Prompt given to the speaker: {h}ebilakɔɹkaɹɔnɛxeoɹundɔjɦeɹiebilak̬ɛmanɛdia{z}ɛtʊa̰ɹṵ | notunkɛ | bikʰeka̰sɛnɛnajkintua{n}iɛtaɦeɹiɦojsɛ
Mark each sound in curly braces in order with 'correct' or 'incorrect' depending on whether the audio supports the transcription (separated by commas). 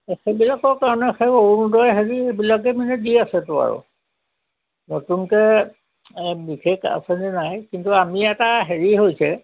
incorrect, incorrect, incorrect